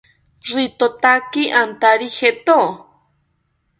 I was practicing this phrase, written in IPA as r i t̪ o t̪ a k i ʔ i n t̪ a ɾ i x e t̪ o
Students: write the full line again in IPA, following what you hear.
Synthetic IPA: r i t̪ o t̪ a k i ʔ a n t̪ a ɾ i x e t̪ o